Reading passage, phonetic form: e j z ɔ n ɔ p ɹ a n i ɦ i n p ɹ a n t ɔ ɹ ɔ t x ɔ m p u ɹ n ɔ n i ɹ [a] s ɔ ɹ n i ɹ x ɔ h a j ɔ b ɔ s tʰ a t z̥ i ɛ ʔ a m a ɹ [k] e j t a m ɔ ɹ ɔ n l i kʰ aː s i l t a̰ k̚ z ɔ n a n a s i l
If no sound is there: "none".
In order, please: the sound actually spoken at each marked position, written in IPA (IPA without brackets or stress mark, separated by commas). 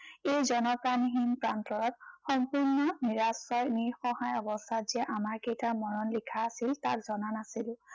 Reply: a, k